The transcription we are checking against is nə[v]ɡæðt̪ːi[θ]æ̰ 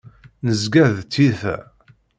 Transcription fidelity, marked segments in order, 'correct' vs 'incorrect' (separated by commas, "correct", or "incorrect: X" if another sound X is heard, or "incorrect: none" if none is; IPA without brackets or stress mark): incorrect: z, correct